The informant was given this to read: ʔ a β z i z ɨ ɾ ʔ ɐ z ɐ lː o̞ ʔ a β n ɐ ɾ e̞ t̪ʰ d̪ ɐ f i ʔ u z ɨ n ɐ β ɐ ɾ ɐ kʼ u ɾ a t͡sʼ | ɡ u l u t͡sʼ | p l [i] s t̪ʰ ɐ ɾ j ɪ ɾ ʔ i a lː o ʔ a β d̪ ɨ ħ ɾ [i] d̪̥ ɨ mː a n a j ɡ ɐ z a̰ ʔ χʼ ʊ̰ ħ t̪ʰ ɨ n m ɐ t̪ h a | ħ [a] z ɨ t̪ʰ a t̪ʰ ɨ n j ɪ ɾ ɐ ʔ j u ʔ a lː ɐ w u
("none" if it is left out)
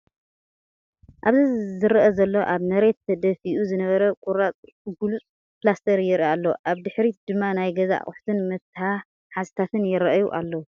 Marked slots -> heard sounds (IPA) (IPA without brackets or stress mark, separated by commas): a, i, a